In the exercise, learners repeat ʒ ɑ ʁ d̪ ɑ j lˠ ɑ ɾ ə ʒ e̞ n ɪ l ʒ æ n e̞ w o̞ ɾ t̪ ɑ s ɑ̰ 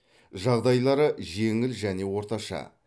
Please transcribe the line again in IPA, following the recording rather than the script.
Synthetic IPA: ʒ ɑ ʁ d̪ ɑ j lˠ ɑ ɾ ə ʒ e̞ ŋ ɪ l ʒ æ n e̞ w o̞ ɾ t̪ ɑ ʃ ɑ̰